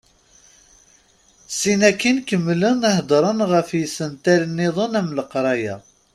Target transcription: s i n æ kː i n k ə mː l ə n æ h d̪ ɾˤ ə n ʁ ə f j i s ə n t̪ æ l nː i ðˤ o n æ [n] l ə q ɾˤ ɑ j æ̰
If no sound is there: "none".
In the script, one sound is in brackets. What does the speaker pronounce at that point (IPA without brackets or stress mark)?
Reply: m